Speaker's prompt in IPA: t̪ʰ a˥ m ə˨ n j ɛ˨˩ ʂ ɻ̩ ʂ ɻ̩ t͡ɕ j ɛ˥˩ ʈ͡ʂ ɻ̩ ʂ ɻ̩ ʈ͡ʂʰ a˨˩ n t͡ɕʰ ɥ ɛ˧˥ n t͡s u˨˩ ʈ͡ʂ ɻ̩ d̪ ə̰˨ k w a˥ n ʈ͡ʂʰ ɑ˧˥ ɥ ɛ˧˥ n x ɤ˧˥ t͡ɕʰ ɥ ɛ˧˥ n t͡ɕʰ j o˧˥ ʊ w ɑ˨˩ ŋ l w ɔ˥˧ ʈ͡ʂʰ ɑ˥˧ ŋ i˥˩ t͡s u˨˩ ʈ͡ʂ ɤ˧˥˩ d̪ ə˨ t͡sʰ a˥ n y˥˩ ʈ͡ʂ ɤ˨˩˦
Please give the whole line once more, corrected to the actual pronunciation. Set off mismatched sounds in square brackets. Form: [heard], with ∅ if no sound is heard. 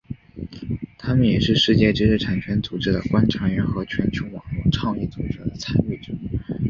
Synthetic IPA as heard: t̪ʰ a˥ m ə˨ n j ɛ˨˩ ʂ ɻ̩ ʂ ɻ̩ t͡ɕ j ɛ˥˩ ʈ͡ʂ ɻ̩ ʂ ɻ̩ ʈ͡ʂʰ a˨˩ n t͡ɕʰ ɥ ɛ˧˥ n t͡s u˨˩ ʈ͡ʂ ɻ̩ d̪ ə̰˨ k w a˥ n ʈ͡ʂʰ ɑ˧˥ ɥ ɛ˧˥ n x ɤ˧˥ t͡ɕʰ ɥ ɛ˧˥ n t͡ɕʰ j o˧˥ ʊ w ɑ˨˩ ŋ l w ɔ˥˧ ʈ͡ʂʰ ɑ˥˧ ŋ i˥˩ t͡s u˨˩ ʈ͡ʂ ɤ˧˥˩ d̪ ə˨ t͡sʰ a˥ n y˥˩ ʈ͡ʂ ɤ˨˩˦

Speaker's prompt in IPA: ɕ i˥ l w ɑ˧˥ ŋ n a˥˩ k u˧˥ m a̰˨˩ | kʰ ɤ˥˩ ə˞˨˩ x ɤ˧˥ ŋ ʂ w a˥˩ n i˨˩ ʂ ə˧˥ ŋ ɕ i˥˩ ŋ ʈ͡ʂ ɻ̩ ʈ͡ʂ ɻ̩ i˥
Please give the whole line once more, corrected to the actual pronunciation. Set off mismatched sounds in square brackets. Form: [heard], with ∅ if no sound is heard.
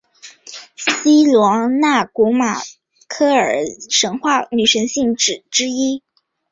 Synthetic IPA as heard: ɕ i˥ l w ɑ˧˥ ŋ n a˥˩ k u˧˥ m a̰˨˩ | kʰ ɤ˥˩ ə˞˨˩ [ʂ] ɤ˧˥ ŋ [x] w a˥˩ n [y˨˩] ʂ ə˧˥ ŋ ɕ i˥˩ ŋ ʈ͡ʂ ɻ̩ ʈ͡ʂ ɻ̩ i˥

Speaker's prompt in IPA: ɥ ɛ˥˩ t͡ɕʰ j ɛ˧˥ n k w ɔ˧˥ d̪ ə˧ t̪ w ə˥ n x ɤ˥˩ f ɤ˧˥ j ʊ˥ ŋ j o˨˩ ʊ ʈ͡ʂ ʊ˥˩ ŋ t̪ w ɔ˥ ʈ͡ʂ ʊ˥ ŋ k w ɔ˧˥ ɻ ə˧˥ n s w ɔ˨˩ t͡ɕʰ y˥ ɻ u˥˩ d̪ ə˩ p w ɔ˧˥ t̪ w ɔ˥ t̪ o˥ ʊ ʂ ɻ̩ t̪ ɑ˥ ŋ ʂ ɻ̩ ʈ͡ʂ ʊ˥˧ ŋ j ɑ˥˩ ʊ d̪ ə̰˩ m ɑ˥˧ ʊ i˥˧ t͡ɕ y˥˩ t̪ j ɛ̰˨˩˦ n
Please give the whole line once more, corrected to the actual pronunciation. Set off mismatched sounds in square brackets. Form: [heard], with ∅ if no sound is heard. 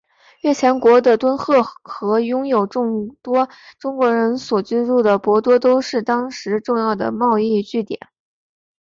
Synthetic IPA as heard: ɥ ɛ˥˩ t͡ɕʰ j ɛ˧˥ n k w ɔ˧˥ d̪ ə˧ t̪ w ə˥ n x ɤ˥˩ [x] ɤ˧˥ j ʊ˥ ŋ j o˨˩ ʊ ʈ͡ʂ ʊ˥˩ ŋ t̪ w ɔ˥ ʈ͡ʂ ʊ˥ ŋ k w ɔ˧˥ ɻ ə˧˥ n s w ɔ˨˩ [t͡ɕ] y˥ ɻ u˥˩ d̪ ə˩ p w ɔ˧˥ t̪ w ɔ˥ t̪ o˥ ʊ ʂ ɻ̩ t̪ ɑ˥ ŋ ʂ ɻ̩ ʈ͡ʂ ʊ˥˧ ŋ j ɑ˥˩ ʊ d̪ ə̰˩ m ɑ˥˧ ʊ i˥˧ t͡ɕ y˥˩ t̪ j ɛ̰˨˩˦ n

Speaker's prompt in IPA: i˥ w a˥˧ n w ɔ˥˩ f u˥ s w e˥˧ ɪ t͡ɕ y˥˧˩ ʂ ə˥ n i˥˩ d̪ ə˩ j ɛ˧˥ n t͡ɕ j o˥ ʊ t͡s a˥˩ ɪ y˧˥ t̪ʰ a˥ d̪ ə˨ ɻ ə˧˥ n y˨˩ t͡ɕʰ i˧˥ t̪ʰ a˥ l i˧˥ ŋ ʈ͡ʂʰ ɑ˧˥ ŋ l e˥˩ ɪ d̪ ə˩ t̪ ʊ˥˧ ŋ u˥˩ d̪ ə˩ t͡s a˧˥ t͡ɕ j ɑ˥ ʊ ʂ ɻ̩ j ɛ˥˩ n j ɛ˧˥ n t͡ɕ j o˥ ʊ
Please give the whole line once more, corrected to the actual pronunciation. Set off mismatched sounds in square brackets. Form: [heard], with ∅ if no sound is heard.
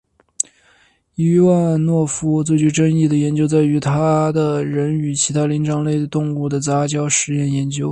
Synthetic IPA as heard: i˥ w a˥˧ n w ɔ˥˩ f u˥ [t͡s] w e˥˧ ɪ t͡ɕ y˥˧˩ [ʈ͡ʂ] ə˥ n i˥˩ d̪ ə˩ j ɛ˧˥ n t͡ɕ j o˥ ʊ t͡s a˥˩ ɪ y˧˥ t̪ʰ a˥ d̪ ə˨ ɻ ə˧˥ n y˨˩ t͡ɕʰ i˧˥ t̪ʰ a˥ l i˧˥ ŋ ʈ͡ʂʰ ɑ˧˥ ŋ l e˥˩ ɪ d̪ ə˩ t̪ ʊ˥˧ ŋ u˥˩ d̪ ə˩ t͡s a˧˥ t͡ɕ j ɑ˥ ʊ ʂ ɻ̩ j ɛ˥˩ n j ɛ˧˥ n t͡ɕ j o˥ ʊ

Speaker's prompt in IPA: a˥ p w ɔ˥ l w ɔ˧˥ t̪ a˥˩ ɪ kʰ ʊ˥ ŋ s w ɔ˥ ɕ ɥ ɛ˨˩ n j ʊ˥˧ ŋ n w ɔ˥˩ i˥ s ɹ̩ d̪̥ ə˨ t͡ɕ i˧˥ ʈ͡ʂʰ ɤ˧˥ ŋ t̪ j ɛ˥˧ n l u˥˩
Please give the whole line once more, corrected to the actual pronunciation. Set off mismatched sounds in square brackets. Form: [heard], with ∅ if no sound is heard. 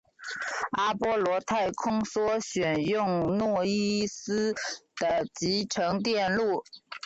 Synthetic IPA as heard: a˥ p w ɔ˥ l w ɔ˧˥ [t̪ʰ] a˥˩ ɪ kʰ ʊ˥ ŋ s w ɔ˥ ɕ ɥ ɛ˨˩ n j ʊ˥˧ ŋ n w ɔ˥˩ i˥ s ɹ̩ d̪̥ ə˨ t͡ɕ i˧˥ ʈ͡ʂʰ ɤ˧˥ ŋ t̪ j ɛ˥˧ n l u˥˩

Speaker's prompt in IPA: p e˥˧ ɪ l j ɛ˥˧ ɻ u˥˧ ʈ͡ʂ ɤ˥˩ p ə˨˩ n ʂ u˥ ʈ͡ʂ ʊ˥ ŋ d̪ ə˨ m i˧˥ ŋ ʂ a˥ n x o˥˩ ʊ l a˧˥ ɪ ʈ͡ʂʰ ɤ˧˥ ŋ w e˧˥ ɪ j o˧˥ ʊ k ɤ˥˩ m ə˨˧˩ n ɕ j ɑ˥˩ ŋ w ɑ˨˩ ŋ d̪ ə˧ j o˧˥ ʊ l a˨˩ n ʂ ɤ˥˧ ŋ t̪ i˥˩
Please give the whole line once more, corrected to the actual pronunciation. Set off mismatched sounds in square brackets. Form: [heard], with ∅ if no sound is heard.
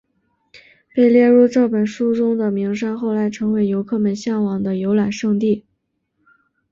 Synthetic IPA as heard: p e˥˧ ɪ l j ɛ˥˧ ɻ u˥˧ ʈ͡ʂ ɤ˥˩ p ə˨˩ n ʂ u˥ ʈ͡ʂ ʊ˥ ŋ d̪ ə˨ m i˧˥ ŋ ʂ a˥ n x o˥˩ ʊ l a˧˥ ɪ ʈ͡ʂʰ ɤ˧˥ ŋ w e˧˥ ɪ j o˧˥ ʊ [kʰ] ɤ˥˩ m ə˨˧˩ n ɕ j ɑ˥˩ ŋ w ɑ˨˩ ŋ d̪ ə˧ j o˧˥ ʊ l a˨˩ n ʂ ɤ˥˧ ŋ t̪ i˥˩

